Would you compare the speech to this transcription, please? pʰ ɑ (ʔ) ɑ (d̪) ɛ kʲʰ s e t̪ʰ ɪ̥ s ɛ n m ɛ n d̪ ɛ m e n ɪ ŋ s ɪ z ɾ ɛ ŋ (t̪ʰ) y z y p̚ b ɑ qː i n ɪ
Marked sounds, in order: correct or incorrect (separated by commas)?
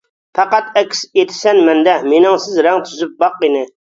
incorrect, incorrect, correct